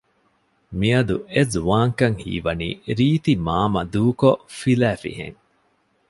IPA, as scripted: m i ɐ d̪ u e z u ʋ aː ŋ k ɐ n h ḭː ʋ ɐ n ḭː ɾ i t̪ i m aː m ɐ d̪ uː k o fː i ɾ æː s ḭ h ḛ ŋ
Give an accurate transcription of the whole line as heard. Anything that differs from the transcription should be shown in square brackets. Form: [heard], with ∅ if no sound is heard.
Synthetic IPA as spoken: m i ɐ d̪ u e z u ʋ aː ŋ k ɐ [ŋ] h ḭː ʋ ɐ n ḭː ɾ [iː] t̪ i m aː m ɐ d̪ uː k o [f] i [l] æː [f] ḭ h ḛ ŋ